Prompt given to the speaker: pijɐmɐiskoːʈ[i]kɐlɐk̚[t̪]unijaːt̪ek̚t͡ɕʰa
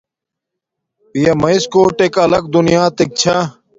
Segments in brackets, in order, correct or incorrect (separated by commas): incorrect, incorrect